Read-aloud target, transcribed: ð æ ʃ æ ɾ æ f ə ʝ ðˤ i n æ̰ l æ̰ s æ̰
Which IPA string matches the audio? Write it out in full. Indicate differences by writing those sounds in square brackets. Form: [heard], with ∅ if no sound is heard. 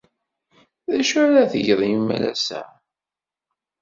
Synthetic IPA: ð æ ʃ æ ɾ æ [θ] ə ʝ ðˤ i [m] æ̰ l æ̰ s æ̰